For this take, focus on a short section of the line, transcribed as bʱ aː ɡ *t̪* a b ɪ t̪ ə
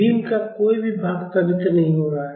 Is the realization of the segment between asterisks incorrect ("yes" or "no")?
no